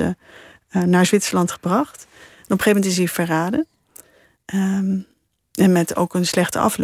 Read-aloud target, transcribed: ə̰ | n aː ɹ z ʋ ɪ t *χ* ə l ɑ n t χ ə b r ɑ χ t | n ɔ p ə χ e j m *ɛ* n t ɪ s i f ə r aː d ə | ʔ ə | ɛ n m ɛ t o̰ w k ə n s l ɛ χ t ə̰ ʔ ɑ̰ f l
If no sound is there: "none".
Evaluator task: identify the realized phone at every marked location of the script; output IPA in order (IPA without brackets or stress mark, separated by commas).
s, ɛ